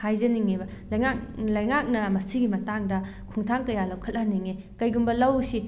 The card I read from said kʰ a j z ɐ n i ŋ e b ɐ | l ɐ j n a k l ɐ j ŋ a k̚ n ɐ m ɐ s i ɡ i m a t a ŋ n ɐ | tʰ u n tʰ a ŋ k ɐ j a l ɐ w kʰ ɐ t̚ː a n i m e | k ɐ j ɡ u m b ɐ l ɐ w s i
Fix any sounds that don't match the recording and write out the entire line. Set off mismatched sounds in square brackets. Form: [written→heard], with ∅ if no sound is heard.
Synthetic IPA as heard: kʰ a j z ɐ n i ŋ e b ɐ | l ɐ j [n→ŋ] a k l ɐ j ŋ a k̚ n ɐ m ɐ s i ɡ i m [a→ɐ] t a ŋ [n→d] ɐ | [tʰ→kʰ] u [n→ŋ] tʰ a ŋ k ɐ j a l ɐ w kʰ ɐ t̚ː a n i [m→ŋ] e | k ɐ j ɡ u m b ɐ l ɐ w s i